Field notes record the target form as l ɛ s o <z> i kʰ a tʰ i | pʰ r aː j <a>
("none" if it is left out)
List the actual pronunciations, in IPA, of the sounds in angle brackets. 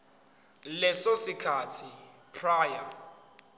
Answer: s, a

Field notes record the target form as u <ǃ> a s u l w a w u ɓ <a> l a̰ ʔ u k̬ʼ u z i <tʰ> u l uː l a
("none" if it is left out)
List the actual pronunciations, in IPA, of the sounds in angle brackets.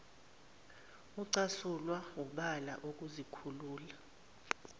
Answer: ǀ, a, kʰ

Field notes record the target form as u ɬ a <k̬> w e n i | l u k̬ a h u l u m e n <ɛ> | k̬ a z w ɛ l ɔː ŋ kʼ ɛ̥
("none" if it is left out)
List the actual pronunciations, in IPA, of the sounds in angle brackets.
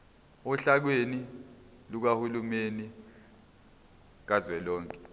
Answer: k̬, i

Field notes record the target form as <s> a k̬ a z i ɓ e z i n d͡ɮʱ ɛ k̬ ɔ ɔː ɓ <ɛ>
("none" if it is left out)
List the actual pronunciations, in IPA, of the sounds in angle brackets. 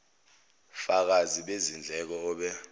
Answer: f, ɛ

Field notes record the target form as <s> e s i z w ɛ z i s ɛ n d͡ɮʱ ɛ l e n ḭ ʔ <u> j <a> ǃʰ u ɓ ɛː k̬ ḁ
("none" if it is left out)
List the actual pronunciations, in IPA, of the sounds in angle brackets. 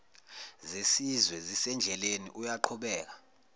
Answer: z, u, a

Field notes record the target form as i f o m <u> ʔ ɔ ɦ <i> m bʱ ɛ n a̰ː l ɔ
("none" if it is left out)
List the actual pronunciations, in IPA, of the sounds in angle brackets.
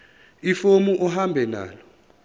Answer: u, a

